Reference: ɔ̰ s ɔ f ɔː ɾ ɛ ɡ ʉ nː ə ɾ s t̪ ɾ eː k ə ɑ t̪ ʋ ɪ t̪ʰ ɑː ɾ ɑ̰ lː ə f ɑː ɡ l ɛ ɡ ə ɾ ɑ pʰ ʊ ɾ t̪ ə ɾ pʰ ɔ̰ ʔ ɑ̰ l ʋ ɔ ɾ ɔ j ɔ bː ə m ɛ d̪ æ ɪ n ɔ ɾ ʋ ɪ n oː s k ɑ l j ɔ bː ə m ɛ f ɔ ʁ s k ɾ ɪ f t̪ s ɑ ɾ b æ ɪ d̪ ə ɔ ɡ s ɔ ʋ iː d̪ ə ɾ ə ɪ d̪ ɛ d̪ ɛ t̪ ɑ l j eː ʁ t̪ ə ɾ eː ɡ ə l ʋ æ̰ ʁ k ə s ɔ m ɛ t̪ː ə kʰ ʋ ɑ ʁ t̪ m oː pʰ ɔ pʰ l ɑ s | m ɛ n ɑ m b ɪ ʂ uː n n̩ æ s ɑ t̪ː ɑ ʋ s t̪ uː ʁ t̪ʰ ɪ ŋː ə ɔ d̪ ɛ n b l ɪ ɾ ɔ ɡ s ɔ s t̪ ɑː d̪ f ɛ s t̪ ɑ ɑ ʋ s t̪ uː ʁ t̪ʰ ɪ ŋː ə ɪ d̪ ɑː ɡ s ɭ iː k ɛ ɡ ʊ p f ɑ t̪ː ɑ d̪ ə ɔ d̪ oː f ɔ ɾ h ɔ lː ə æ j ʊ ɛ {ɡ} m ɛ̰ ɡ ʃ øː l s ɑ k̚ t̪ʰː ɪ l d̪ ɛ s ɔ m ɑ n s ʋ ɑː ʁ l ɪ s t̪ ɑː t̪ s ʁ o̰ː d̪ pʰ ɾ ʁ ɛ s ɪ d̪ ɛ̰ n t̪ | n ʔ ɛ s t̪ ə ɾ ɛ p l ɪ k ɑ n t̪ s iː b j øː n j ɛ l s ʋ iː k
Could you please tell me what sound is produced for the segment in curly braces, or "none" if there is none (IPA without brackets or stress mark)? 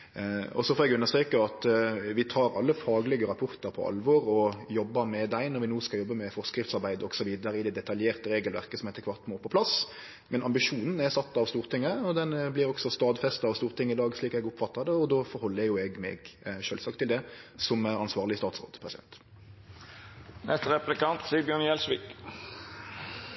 ɡ